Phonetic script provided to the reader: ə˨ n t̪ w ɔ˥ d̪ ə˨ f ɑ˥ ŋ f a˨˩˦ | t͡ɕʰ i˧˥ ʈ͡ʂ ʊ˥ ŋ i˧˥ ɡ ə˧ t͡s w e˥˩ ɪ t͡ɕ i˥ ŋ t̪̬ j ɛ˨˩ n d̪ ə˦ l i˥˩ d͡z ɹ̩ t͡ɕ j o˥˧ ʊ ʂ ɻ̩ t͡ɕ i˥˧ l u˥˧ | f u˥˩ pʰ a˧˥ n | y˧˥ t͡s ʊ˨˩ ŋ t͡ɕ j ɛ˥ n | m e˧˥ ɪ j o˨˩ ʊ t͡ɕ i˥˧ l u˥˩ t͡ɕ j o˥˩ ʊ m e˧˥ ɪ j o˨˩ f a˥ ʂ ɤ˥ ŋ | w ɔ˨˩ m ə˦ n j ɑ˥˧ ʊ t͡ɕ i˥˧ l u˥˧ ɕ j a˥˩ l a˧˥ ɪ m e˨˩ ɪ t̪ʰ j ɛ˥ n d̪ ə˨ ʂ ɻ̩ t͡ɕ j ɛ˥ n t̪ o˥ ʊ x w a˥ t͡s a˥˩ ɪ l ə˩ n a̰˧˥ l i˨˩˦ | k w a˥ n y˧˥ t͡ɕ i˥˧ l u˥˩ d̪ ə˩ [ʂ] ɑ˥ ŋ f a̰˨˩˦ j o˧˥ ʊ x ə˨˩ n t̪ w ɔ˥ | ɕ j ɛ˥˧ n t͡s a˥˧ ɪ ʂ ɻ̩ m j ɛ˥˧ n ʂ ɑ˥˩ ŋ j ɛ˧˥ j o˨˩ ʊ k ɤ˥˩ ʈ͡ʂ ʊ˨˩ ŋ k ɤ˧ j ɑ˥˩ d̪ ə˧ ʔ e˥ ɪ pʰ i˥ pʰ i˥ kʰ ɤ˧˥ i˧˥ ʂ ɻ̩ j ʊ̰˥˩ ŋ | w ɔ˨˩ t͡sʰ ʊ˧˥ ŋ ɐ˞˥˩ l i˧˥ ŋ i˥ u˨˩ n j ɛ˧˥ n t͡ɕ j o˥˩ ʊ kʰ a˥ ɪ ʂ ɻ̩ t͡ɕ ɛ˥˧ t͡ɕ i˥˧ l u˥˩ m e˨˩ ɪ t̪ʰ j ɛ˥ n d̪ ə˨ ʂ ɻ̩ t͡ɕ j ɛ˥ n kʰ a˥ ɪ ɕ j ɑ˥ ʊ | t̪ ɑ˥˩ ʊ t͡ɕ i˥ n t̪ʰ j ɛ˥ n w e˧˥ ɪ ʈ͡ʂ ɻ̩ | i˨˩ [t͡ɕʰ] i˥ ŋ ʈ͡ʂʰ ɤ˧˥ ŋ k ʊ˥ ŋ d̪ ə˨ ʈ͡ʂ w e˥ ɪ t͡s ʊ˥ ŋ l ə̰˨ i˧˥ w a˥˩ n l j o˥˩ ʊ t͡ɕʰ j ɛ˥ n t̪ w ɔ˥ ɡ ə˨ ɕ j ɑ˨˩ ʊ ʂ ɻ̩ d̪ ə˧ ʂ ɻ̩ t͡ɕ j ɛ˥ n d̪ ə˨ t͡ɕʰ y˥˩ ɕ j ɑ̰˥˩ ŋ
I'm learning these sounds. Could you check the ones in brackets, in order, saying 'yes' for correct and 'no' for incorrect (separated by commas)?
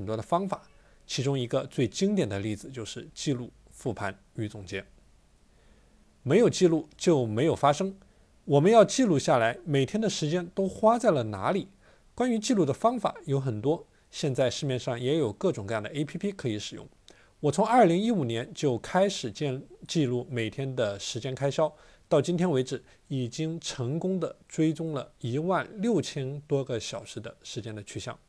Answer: no, no